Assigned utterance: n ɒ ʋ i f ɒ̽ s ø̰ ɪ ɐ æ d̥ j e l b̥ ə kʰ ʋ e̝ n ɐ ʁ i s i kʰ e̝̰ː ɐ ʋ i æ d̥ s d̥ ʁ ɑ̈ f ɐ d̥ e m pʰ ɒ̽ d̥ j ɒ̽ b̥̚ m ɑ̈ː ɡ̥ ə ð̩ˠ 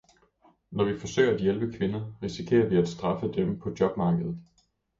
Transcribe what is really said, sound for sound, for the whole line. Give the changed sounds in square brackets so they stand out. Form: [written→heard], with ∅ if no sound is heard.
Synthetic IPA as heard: n ɒ ʋ i f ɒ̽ s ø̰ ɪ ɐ æ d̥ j e l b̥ ə kʰ ʋ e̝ n ɐ ʁ i s i kʰ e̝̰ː ɐ ʋ i æ d̥ s d̥ ʁ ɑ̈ f [ɐ→ə] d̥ e m pʰ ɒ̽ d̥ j ɒ̽ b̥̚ m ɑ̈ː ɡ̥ ə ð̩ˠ